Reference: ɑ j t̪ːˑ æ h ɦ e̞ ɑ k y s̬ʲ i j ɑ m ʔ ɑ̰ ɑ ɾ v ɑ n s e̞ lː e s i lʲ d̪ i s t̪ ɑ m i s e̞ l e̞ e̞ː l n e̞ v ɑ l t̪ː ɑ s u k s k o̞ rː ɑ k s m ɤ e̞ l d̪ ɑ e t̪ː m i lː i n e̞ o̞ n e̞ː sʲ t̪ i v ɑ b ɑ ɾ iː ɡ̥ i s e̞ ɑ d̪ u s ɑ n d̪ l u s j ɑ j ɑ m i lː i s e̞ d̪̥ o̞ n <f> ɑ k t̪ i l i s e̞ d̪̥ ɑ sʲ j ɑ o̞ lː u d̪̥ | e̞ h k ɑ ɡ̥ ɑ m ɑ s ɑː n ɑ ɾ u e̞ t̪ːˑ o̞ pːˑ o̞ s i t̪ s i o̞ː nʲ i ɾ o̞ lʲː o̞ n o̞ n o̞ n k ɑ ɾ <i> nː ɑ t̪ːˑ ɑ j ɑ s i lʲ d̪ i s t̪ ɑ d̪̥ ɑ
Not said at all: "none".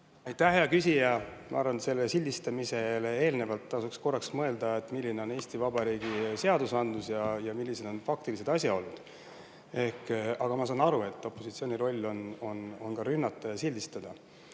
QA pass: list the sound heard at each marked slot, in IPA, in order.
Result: f, y

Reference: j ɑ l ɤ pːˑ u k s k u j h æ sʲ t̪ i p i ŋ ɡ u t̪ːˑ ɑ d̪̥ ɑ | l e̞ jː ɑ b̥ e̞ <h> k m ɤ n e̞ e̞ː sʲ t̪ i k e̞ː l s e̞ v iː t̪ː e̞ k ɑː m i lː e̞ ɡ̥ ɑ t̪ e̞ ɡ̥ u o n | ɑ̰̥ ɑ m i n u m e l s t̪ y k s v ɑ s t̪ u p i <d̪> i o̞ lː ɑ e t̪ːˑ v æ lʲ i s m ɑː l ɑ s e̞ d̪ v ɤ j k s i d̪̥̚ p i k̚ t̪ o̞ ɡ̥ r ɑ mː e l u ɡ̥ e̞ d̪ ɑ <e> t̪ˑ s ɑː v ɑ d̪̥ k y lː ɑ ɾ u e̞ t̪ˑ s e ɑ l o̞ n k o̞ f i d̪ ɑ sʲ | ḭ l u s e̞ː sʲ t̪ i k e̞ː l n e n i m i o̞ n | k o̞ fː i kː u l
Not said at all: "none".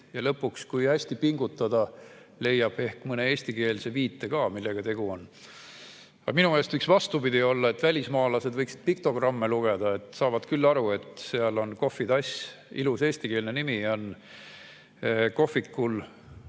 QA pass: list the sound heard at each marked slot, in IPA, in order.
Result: h, d̪, e

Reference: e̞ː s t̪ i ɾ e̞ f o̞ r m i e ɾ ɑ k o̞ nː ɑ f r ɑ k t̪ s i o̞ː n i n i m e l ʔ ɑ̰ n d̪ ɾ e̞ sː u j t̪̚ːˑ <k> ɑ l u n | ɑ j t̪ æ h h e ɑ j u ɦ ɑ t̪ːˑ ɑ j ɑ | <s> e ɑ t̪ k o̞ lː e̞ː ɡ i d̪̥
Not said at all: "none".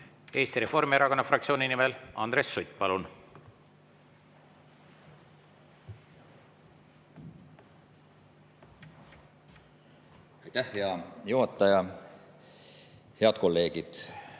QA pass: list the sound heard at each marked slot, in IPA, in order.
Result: p, h

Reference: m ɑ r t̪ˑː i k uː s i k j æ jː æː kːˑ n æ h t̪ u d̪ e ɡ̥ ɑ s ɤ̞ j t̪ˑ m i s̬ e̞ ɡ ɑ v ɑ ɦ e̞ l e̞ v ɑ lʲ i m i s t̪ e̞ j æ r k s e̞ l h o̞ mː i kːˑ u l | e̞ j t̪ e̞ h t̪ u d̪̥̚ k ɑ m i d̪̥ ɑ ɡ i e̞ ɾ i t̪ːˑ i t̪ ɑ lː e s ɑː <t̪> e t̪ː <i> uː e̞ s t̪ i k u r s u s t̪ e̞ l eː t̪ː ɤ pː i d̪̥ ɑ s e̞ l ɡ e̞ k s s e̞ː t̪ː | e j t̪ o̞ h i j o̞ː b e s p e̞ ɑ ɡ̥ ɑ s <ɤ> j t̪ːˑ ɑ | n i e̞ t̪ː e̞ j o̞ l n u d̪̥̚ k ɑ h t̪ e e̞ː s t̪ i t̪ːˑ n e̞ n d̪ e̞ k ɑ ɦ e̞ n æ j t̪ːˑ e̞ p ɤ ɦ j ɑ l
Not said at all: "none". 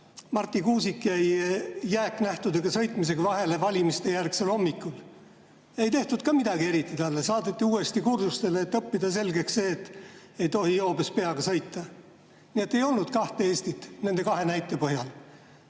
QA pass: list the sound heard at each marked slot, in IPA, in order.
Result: d̪, i, ɤ

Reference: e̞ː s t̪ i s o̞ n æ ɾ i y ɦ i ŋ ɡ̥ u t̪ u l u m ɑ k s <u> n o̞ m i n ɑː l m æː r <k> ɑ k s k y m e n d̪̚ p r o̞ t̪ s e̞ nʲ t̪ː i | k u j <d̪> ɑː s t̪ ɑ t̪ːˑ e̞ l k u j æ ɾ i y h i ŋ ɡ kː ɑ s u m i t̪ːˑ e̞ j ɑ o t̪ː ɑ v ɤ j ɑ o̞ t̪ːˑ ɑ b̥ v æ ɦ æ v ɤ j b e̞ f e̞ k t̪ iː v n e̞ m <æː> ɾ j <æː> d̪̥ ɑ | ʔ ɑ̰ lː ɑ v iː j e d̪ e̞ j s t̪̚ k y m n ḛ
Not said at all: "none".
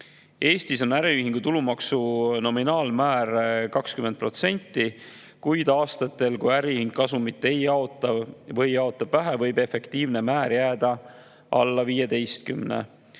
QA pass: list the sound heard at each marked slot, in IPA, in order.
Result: u, k, d̪, æː, æː

